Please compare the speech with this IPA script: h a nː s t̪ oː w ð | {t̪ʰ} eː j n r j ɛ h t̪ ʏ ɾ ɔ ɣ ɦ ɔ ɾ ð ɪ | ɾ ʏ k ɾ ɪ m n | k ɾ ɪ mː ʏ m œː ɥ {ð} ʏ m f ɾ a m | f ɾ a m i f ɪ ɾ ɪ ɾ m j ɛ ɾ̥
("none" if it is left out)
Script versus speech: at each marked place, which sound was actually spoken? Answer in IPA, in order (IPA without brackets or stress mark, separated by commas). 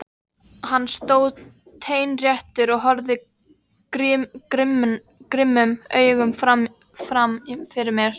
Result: t̪ʰ, ɣ